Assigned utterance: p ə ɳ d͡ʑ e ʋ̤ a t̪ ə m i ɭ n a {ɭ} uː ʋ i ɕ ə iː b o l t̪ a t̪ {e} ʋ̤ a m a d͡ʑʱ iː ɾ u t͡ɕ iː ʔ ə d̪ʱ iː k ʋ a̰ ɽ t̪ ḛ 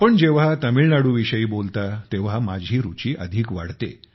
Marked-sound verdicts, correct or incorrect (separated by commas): incorrect, correct